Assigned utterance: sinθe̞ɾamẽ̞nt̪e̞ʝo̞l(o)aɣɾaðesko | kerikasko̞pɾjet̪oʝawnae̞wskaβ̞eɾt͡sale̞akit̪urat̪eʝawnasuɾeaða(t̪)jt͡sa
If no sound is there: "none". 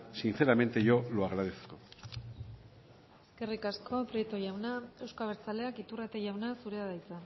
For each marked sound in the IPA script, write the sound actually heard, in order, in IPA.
o, none

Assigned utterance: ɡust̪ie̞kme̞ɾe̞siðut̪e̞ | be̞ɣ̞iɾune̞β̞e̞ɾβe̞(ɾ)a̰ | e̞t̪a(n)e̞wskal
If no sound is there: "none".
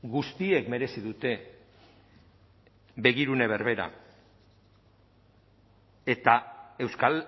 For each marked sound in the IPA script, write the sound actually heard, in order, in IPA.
ɾ, none

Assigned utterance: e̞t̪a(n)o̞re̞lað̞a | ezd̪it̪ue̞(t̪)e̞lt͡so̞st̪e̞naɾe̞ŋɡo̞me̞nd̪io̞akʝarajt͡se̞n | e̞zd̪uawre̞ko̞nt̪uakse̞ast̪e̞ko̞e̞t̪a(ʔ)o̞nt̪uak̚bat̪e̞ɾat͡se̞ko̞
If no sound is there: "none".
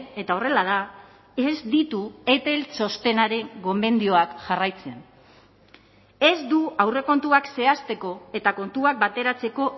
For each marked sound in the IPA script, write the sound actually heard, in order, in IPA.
none, t̪, k

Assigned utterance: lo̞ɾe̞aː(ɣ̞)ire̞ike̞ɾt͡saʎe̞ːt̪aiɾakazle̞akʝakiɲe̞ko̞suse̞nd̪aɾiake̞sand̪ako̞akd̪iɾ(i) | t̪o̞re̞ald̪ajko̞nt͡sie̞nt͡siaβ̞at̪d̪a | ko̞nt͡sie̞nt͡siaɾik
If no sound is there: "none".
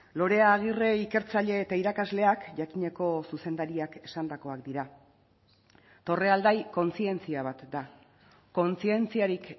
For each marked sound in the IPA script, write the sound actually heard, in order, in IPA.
ɣ̞, a

